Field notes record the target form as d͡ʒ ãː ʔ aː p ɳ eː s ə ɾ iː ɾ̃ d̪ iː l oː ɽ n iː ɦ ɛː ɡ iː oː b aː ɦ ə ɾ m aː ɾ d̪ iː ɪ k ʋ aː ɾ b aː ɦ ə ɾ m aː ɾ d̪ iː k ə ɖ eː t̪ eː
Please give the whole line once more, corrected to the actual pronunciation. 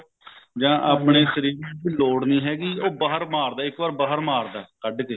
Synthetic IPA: d͡ʒ ãː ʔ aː p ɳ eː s ə ɾ iː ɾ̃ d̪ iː l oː ɽ n iː ɦ ɛː ɡ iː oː b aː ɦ ə ɾ m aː ɾ d̪ aː ɪ k ʋ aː ɾ b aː ɦ ə ɾ m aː ɾ d̪ aː k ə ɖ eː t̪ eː

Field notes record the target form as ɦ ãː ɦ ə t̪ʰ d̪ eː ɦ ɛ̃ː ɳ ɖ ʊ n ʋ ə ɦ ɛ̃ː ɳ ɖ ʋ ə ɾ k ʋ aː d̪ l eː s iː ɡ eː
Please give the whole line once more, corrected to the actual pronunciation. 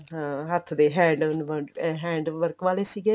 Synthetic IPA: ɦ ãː ɦ ə t̪ʰ d̪ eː ɦ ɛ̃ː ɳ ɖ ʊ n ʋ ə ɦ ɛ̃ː ɳ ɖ ʋ ə ɾ k ʋ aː l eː s iː ɡ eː

